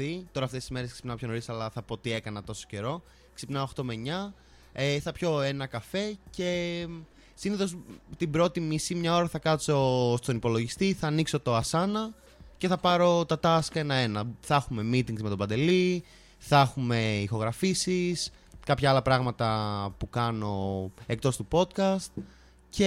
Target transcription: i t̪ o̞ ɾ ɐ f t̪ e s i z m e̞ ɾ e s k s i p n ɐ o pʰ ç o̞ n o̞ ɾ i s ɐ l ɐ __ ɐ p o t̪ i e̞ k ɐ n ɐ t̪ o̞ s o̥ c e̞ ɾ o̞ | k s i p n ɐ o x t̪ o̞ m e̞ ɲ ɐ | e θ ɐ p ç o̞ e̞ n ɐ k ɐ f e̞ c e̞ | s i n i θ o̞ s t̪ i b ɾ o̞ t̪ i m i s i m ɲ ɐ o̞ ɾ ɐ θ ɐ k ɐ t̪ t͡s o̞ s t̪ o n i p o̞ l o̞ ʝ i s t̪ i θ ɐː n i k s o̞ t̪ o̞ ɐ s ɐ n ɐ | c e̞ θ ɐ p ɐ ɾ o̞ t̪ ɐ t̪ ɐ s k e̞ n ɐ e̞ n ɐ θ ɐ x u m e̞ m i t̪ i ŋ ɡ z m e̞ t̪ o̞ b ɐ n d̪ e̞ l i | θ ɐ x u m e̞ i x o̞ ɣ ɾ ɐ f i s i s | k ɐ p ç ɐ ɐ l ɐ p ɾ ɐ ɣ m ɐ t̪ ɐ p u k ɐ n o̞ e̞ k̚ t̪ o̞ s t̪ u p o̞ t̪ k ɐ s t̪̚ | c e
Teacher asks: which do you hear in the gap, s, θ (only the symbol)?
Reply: θ